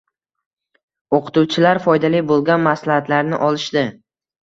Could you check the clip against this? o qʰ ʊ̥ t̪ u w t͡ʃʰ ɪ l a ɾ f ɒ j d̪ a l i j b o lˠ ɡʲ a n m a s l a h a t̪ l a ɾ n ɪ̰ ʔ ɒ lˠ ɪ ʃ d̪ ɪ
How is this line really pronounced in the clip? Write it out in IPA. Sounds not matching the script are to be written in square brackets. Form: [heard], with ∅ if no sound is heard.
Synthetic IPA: o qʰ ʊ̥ t̪ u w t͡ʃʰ ɪ l a ɾ f ɒ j d̪ a l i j b o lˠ ɡʲ a n m a s l a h a t̪ l a ɾ n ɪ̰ ʔ ɒ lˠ ɪ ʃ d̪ ɪ